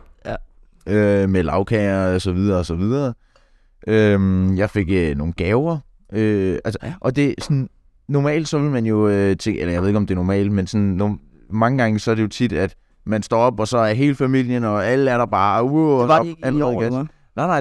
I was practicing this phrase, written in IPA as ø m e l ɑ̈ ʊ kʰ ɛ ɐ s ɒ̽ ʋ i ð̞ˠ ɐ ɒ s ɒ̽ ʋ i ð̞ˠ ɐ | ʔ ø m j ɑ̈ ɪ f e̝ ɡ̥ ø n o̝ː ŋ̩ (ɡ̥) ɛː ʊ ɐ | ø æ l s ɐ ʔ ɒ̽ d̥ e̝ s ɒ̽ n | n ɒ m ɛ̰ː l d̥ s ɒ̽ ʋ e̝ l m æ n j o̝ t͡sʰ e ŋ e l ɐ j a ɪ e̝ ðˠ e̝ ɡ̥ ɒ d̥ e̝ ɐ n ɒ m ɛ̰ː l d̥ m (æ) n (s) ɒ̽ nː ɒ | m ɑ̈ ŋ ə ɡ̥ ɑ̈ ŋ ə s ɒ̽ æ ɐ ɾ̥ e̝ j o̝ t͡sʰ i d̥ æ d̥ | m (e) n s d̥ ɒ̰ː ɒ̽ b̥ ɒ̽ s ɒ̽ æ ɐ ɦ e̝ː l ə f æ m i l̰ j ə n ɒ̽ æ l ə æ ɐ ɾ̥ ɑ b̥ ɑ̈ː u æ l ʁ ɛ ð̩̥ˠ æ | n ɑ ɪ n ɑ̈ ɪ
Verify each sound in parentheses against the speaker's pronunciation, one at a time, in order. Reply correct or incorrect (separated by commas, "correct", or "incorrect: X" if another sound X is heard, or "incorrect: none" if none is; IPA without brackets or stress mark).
correct, incorrect: e, correct, incorrect: æ